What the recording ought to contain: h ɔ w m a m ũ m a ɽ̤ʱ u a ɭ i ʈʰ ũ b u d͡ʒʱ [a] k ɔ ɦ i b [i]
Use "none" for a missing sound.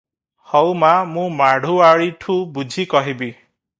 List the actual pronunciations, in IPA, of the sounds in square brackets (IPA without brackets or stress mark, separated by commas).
i, i